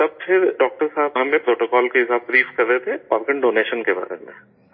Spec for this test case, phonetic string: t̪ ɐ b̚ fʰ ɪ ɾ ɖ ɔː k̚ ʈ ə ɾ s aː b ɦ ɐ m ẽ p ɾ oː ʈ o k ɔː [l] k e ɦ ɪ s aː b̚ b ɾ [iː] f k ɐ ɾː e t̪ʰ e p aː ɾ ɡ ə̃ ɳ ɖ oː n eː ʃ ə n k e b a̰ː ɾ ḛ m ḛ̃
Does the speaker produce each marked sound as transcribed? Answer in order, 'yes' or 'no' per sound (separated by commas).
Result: yes, yes